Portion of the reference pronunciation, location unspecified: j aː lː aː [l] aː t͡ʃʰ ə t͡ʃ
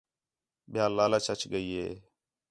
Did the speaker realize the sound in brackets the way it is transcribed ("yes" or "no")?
yes